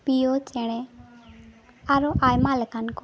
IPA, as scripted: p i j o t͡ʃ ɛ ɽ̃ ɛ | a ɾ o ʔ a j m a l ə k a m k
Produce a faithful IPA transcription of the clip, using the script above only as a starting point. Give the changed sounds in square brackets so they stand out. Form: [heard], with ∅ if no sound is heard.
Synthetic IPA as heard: p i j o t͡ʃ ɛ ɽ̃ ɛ | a ɾ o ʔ a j m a l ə k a [n] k